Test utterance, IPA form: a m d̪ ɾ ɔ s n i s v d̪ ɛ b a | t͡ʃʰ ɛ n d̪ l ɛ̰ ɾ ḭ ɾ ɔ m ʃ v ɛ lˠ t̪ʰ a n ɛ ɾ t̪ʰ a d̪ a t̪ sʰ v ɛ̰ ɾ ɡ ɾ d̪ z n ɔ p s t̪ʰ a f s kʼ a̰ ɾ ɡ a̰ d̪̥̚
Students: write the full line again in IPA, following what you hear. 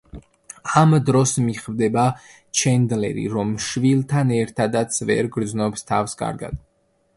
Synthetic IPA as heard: a m d̪ ɾ ɔ s m i χ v d̪ ɛ b a | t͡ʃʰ ɛ n d̪ l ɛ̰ ɾ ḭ ɾ ɔ m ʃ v i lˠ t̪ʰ a n ɛ ɾ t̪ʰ a d̪ a t̪ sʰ v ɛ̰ ɾ ɡ ɾ d̪ z n ɔ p s t̪ʰ a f s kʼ a̰ ɾ ɡ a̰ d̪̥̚